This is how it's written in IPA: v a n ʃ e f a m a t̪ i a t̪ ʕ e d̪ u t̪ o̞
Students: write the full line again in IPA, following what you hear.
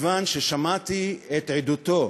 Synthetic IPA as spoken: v a n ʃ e ʃ a m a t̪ i e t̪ ʕ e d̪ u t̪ o̞